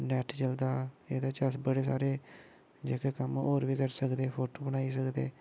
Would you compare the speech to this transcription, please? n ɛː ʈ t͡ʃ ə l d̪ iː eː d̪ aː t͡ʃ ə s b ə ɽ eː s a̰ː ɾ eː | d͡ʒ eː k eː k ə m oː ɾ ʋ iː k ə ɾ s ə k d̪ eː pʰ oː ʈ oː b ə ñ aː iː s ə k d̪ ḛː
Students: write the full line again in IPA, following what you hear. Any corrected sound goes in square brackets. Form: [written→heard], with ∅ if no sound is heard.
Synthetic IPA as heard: n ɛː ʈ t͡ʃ ə l d̪ [iː→aː] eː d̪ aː t͡ʃ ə s b ə ɽ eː s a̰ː ɾ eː | d͡ʒ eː k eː k ə m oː ɾ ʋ iː k ə ɾ s ə k d̪ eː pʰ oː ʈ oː b ə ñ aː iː s ə k d̪ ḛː

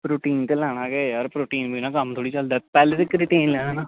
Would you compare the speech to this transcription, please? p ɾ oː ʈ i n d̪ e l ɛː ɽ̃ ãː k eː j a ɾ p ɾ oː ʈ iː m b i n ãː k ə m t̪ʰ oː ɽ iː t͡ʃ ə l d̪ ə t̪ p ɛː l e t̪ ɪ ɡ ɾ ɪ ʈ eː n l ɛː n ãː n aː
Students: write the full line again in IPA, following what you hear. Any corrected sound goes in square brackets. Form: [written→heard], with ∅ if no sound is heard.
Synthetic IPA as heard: p ɾ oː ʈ [i→iː] n [d̪→t̪] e l ɛː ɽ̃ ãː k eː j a ɾ p ɾ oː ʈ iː [m→n] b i n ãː k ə m t̪ʰ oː ɽ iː t͡ʃ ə l d̪ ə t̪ p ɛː l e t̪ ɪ [ɡ→k] ɾ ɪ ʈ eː n l ɛː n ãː n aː

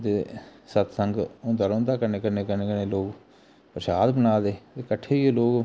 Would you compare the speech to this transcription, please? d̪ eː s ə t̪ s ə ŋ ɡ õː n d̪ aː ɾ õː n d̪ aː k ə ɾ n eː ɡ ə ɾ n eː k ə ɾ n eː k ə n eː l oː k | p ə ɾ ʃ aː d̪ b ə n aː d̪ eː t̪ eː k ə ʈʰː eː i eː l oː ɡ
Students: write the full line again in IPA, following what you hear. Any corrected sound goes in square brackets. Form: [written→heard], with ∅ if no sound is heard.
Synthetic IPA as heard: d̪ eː s ə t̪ s ə ŋ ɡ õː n d̪ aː ɾ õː n d̪ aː k ə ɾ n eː [ɡ→k] ə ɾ n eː k ə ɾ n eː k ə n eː l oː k | p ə ɾ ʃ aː d̪ b ə n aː d̪ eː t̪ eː k ə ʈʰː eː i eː l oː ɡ

